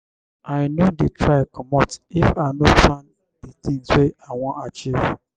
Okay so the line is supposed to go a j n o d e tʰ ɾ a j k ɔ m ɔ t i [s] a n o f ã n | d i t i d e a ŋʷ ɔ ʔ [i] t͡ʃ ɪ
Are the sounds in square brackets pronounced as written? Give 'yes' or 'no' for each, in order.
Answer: no, no

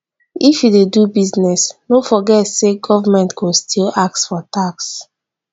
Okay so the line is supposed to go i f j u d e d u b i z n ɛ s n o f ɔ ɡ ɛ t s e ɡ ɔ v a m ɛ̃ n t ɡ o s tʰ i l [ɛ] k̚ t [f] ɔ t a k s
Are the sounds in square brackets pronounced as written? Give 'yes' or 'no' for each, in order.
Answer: no, yes

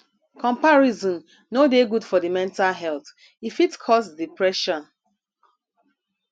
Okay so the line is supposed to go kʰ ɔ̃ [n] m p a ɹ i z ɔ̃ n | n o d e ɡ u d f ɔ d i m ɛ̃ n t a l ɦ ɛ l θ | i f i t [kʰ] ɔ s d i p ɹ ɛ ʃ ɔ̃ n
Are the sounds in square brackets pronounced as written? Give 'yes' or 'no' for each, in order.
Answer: no, yes

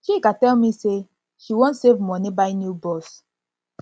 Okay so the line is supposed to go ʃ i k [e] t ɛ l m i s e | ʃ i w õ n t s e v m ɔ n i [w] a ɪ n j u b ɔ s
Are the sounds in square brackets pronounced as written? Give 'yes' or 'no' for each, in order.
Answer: no, no

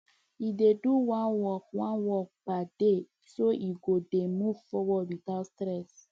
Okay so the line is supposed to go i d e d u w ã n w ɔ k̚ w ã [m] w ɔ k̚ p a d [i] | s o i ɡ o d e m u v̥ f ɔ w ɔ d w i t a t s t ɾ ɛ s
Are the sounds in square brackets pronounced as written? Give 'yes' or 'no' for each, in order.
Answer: no, no

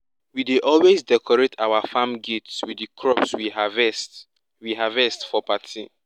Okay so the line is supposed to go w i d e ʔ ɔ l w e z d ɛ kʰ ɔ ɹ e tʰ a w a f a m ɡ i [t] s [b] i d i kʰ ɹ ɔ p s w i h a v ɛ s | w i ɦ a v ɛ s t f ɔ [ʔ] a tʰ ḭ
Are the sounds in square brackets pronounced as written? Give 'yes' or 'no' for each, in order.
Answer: yes, no, no

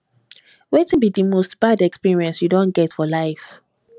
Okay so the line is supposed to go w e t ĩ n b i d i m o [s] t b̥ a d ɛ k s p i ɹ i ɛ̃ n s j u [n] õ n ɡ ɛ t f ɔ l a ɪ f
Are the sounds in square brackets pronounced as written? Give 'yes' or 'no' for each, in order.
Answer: yes, no

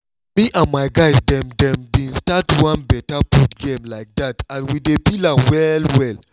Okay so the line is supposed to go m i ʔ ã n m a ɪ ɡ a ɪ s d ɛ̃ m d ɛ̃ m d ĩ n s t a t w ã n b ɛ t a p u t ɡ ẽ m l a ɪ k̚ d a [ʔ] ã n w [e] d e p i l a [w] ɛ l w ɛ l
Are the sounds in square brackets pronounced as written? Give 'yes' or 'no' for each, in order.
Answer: no, no, yes

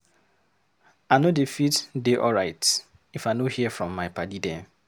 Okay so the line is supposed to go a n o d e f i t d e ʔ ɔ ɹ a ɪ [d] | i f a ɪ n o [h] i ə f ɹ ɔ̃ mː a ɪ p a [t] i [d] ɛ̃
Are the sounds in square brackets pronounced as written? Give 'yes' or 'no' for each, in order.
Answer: no, yes, no, yes

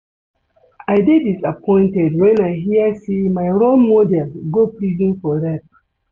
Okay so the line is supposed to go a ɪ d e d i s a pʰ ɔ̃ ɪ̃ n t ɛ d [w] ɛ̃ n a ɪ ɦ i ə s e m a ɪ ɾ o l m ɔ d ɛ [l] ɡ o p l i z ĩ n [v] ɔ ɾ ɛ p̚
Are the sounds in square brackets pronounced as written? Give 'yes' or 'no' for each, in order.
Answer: yes, yes, no

